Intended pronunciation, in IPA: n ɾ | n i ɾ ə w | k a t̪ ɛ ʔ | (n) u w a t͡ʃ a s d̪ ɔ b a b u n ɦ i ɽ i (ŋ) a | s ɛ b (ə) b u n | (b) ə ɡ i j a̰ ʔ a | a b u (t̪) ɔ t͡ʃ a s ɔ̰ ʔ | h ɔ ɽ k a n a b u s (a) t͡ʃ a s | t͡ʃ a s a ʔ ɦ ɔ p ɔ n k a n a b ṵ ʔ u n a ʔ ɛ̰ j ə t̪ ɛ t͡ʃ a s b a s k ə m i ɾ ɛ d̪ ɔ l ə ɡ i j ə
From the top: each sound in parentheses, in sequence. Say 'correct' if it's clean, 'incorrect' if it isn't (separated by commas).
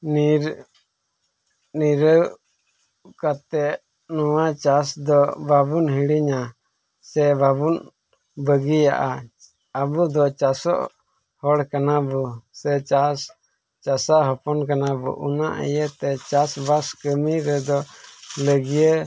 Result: correct, incorrect, incorrect, correct, incorrect, incorrect